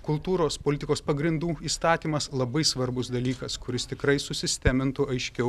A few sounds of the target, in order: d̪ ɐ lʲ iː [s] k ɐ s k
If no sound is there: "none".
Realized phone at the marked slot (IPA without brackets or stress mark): none